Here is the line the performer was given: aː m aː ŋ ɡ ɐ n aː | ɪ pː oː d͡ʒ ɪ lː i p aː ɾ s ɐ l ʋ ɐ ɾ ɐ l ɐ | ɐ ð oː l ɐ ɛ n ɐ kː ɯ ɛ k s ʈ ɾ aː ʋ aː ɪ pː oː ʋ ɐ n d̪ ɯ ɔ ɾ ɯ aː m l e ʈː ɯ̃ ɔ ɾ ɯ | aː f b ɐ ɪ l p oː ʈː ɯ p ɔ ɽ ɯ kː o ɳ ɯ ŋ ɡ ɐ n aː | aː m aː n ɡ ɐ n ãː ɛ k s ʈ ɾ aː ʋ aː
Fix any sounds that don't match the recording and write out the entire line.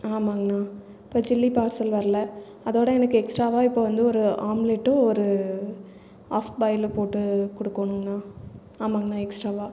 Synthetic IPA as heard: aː m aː ŋ ɡ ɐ n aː | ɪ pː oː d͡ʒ ɪ lː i p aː ɾ s ɐ l ʋ ɐ ɾ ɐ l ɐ | ɐ ð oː ɽ ɐ ɛ n ɐ kː ɯ ɛ k s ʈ ɾ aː ʋ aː ɪ pː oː ʋ ɐ n d̪ ɯ ɔ ɾ ɯ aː m l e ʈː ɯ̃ ɔ ɾ ɯ | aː f b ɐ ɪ l p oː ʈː ɯ k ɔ ɽ ɯ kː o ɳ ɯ ŋ ɡ ɐ n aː | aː m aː ŋ ɡ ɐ n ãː ɛ k s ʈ ɾ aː ʋ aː